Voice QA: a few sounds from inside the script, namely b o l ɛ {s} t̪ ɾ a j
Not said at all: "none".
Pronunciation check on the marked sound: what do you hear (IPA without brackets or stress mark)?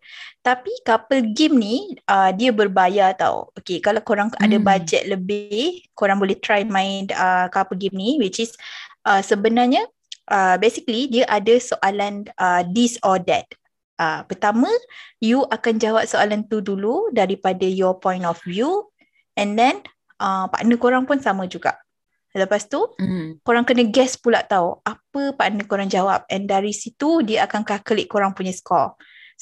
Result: h